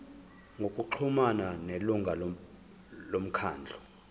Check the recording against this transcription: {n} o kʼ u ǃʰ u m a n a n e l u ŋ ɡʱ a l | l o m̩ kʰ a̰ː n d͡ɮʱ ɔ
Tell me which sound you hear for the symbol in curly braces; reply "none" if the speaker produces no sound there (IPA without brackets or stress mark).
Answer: ŋ